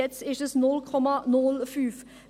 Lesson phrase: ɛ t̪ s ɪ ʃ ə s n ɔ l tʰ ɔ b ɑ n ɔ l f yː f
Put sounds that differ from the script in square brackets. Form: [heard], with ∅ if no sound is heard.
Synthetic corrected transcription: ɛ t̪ s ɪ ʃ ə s n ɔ l [kʰ] ɔ [m] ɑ n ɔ l f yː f